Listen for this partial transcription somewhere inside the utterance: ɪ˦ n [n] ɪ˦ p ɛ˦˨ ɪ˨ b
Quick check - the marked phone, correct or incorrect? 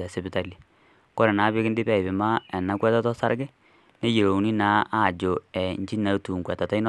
incorrect